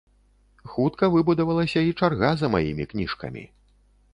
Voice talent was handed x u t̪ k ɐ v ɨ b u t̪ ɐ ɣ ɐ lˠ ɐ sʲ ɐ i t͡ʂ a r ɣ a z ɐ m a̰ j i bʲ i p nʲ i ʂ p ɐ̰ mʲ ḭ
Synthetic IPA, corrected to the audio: x u t̪ k ɐ v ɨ b u d̪ ɐ v ɐ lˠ ɐ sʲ ɐ i t͡ʂ a r ɣ a z ɐ m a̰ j i mʲ i k nʲ i ʂ k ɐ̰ mʲ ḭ